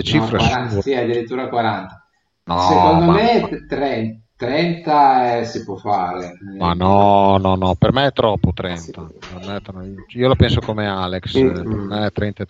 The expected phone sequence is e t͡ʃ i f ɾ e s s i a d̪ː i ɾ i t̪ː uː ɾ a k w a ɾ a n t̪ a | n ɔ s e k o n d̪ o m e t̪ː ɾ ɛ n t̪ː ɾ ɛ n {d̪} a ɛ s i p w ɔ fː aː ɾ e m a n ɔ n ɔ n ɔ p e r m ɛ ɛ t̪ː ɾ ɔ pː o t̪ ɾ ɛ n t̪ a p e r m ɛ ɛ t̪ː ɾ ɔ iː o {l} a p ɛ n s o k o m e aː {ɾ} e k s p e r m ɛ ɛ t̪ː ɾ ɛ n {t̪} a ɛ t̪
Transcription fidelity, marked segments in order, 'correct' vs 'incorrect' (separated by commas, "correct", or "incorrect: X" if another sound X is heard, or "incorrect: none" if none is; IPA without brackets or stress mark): incorrect: t̪, correct, incorrect: l, correct